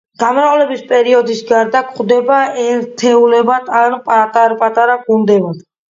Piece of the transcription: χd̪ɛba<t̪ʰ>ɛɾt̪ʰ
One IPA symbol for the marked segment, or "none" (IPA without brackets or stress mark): none